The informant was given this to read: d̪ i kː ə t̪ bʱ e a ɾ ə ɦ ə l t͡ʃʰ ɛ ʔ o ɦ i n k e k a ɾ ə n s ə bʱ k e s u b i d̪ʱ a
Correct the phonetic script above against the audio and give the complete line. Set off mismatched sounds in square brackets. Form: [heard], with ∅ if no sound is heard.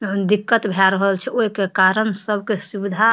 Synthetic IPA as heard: d̪ i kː ə t̪ bʱ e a ɾ ə ɦ ə l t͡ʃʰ ɛ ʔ o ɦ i [∅] k e k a ɾ ə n s ə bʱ k e s u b i d̪ʱ a